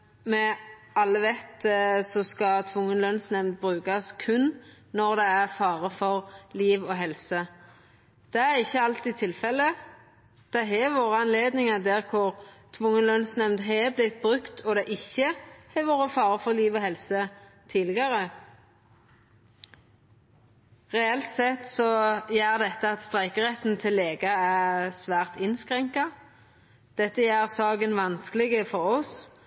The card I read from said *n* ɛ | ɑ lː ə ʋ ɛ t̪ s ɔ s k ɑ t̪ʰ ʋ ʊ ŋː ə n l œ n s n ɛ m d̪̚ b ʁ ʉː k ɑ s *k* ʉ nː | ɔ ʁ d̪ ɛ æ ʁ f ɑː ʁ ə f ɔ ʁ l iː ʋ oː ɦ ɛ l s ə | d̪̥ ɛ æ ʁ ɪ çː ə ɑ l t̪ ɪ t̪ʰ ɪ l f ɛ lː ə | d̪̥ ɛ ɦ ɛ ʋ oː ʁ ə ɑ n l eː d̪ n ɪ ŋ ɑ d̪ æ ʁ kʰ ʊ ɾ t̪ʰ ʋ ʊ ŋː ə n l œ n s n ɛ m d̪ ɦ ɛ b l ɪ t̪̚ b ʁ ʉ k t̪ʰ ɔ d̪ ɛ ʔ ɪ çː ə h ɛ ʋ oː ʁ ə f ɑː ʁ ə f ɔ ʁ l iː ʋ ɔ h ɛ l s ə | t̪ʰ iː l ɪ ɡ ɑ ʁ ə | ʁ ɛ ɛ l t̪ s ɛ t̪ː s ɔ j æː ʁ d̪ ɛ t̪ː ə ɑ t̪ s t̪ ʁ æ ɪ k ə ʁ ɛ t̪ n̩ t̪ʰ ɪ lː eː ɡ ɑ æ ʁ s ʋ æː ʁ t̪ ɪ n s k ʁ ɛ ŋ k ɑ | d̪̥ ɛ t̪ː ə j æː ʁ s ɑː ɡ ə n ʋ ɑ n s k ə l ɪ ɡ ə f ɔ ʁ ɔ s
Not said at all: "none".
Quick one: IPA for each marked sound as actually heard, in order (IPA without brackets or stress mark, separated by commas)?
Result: m, kʰ